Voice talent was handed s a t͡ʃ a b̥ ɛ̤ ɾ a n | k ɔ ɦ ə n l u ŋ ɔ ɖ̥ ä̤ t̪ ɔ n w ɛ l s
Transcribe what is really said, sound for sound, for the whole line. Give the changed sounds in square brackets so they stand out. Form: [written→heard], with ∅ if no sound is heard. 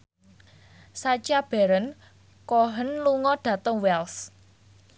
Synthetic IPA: s a t͡ʃ a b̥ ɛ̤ ɾ [a→ə] n | k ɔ ɦ ə n l u ŋ ɔ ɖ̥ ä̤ t̪ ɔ [n→ŋ] w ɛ l s